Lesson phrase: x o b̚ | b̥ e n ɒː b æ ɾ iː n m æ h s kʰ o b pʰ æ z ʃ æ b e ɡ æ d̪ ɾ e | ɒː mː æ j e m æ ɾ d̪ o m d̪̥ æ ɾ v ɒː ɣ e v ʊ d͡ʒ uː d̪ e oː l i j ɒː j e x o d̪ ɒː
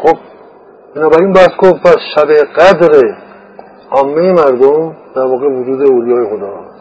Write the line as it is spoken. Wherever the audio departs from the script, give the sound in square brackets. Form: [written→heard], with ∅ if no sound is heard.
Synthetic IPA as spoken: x o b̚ | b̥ e n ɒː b æ ɾ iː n [m→b] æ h s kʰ o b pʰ æ [z→s] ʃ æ b e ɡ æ d̪ ɾ e | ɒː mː [æ→e] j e m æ ɾ d̪ o m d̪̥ æ ɾ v ɒː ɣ e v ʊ d͡ʒ uː d̪ e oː l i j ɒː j e x o d̪ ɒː